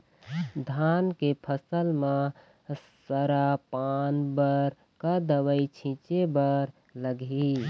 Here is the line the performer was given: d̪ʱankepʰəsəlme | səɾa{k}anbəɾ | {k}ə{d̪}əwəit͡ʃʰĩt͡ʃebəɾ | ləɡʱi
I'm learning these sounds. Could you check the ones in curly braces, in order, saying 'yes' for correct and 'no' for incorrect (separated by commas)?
no, yes, yes